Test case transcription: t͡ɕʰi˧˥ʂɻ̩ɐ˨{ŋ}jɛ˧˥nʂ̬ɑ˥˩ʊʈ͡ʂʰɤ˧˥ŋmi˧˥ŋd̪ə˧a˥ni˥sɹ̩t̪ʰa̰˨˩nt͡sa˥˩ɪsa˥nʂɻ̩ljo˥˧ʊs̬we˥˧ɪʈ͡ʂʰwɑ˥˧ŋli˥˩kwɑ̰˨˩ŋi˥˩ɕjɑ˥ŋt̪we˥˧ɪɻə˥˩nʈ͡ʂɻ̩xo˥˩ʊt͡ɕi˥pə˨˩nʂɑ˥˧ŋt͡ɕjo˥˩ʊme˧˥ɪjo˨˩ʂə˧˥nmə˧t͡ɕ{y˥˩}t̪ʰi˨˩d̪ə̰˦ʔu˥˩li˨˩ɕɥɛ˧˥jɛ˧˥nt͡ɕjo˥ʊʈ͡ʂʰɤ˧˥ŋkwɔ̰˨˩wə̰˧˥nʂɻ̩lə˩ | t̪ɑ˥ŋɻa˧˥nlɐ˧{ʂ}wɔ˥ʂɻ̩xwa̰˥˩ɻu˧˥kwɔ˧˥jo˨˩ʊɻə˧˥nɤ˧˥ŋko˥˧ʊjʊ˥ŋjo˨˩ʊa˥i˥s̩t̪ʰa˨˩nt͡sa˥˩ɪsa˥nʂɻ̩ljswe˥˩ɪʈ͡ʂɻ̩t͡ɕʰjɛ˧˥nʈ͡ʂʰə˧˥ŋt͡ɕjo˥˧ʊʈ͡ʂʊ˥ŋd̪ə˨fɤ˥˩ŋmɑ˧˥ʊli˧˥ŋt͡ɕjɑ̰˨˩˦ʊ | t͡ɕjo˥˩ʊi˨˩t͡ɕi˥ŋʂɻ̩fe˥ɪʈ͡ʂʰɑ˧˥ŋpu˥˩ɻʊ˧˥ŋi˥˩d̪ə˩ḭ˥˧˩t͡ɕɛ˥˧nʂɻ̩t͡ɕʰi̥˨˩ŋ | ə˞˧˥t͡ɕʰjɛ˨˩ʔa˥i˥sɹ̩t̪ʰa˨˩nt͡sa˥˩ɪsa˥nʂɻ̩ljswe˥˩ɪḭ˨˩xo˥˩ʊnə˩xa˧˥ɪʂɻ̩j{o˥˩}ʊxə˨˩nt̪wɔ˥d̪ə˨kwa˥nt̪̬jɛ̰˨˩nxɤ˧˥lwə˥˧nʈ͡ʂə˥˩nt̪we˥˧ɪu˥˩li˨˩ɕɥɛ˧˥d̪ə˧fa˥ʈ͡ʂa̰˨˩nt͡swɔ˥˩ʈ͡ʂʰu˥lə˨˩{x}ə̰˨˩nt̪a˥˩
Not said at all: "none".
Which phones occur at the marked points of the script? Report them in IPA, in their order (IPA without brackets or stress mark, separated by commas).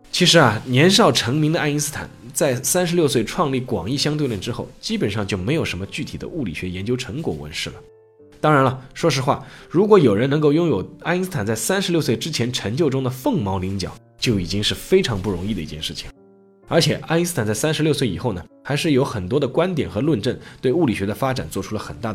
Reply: n, y˥˩, ʂ, o˧˥, x